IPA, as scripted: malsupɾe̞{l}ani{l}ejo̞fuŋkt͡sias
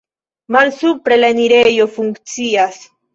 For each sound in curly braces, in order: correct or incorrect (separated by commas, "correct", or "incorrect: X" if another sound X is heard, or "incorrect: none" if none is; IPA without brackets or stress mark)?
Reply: correct, incorrect: ɾ